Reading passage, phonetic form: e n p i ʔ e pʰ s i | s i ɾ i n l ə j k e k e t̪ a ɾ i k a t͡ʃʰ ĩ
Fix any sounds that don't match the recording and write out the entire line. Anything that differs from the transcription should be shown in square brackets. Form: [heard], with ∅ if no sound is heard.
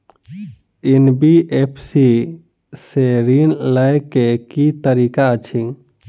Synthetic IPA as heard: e n [b] i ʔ e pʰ s i | s [e] ɾ i n l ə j k e k [i] t̪ [ə] ɾ i k a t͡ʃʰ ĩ